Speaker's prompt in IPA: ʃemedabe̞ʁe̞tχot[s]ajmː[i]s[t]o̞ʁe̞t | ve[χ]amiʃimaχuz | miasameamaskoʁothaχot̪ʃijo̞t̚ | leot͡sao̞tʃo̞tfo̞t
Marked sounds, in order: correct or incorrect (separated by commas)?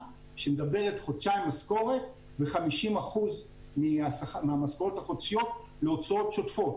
incorrect, incorrect, incorrect, correct